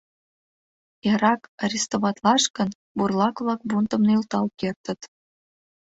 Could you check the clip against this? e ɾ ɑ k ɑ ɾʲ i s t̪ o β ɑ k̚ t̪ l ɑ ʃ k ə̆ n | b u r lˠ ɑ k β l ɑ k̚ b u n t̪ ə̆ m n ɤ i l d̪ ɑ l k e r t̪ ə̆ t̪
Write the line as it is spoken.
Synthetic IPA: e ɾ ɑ k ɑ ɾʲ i s t̪ o β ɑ t̪ l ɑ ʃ k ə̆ n | b u r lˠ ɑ k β l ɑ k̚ b u n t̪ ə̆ m n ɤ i l t̪ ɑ l k e r t̪ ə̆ t̪